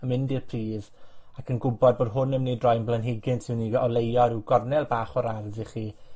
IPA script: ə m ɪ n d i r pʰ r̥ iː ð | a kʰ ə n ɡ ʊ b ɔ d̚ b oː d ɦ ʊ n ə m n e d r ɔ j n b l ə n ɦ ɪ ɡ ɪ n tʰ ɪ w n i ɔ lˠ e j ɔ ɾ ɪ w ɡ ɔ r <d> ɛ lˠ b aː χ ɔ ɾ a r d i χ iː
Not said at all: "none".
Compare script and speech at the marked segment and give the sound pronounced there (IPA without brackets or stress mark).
n